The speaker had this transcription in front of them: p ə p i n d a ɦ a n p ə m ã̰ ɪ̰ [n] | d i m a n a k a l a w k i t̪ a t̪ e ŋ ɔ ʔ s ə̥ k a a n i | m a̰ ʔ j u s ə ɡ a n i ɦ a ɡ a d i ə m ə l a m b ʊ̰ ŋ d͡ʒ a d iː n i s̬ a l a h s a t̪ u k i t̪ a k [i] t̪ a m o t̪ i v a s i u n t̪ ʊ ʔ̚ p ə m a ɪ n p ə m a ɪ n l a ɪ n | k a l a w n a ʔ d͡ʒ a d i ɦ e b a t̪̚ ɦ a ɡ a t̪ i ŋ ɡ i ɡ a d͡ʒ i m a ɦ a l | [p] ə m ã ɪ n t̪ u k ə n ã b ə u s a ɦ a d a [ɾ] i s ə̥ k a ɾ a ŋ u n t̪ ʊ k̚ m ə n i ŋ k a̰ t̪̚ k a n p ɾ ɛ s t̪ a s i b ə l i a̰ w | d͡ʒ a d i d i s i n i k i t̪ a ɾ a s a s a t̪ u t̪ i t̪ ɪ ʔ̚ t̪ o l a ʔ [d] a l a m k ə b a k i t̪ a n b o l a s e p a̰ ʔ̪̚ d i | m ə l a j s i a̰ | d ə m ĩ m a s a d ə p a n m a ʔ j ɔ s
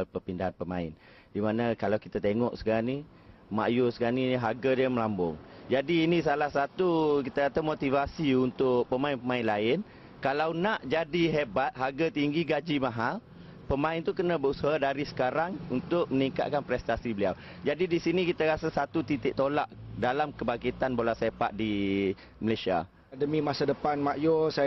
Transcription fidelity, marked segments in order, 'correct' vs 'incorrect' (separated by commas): correct, incorrect, correct, correct, correct